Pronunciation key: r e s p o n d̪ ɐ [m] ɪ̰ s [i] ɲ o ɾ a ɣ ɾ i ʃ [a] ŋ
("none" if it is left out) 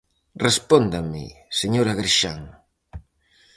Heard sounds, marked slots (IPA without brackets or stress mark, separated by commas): m, e, a